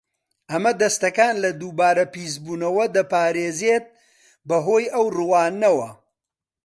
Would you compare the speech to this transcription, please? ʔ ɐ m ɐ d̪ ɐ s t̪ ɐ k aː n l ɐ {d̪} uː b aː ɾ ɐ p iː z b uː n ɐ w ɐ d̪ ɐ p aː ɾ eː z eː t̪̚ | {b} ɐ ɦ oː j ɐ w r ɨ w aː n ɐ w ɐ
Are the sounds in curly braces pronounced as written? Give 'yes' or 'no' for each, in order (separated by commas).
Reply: yes, yes